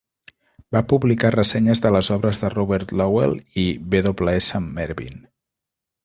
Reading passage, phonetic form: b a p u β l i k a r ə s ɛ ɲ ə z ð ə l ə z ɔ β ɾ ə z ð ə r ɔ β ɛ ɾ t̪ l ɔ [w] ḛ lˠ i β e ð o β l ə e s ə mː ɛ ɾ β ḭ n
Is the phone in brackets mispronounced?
no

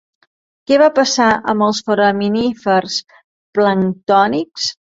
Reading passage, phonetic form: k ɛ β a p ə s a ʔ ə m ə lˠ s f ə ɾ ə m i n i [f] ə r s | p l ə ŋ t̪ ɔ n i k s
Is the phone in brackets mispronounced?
no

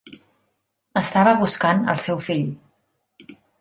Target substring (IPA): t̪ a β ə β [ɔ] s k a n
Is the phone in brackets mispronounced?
yes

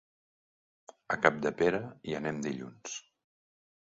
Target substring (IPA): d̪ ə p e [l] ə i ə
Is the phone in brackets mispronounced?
yes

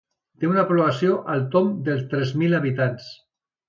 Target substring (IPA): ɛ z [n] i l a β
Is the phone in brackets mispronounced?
yes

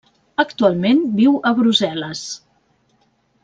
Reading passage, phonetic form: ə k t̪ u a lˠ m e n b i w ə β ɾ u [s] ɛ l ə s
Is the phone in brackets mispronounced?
yes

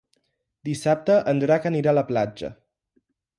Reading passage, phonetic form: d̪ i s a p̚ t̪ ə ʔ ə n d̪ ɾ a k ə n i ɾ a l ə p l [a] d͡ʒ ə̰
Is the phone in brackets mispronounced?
no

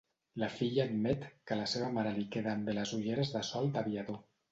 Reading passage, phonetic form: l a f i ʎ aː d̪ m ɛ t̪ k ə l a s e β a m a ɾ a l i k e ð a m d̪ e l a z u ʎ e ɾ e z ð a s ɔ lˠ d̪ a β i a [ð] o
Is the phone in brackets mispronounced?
no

